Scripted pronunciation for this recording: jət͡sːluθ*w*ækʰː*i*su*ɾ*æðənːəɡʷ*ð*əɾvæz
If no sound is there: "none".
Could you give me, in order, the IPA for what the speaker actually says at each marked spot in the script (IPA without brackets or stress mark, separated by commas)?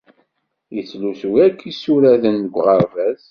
w, i, ɾ, ʁ